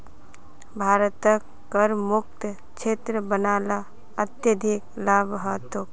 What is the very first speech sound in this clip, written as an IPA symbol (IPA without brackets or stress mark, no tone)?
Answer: bʱ